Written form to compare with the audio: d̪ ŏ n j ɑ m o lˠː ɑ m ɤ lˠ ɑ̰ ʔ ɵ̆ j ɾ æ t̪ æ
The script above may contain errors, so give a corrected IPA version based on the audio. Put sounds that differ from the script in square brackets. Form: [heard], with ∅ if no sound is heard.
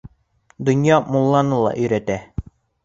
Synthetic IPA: d̪ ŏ n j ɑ m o lˠː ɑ [n] ɤ lˠ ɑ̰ ʔ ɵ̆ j ɾ æ t̪ æ